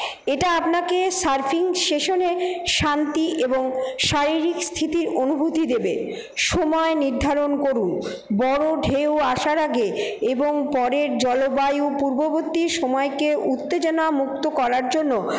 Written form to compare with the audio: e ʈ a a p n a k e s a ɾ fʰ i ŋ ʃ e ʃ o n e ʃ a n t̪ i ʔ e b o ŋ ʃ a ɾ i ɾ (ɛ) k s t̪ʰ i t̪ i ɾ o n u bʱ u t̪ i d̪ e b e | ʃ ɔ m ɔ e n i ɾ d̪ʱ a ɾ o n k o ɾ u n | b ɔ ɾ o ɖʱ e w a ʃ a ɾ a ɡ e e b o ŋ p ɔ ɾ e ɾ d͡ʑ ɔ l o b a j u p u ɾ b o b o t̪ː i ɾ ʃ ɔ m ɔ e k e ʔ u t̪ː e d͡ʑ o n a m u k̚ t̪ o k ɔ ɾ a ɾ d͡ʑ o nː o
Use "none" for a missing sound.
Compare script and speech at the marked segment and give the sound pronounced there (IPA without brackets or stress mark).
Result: i